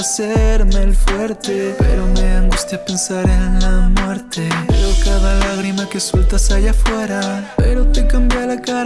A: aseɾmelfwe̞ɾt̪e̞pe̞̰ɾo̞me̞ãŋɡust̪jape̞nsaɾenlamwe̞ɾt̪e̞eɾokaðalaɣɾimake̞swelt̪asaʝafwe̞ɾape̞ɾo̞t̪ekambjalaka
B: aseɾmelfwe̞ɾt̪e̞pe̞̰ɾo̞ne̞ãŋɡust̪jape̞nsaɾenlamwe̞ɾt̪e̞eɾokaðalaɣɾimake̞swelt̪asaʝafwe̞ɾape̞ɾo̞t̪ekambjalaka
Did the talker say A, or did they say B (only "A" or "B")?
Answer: A